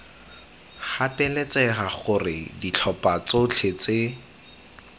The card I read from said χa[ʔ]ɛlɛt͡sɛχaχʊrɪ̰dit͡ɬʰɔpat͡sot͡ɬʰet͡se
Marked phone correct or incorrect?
incorrect